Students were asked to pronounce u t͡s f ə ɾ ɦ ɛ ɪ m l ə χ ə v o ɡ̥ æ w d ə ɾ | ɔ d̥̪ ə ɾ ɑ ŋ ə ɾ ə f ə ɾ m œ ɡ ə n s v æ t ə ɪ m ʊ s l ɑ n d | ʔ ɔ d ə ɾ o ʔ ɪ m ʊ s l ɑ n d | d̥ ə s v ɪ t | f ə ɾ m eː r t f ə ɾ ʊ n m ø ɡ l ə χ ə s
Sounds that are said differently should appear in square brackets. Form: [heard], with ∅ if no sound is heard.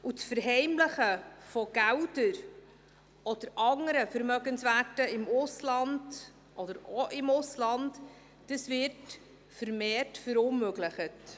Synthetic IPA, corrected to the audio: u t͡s f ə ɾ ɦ ɛ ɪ m l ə χ ə [f] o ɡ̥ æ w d ə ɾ | ɔ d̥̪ ə ɾ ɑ ŋ ə ɾ ə f ə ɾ m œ ɡ ə n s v æ t ə ɪ m ʊ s l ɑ n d | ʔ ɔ d ə ɾ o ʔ ɪ m ʊ s l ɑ n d | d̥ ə s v ɪ t | f ə ɾ m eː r t f ə ɾ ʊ n m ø ɡ l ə χ ə [t]